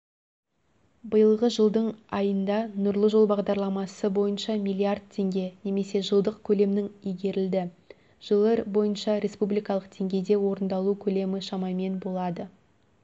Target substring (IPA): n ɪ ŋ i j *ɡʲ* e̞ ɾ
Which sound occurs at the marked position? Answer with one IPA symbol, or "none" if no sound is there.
ɡʲ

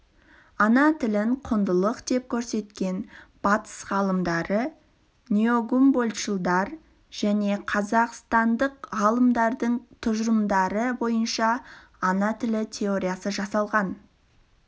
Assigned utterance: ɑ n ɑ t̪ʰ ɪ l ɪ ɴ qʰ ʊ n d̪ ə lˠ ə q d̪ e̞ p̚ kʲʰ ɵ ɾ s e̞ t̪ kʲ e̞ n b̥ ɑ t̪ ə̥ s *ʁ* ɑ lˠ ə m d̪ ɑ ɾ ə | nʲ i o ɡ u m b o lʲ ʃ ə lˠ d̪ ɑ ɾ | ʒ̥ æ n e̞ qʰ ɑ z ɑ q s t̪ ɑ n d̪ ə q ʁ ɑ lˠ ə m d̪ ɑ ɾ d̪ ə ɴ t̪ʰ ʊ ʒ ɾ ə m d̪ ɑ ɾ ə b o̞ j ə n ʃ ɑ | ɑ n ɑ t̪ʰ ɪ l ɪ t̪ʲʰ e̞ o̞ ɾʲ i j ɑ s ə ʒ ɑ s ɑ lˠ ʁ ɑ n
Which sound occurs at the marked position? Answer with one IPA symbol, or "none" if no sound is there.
ʁ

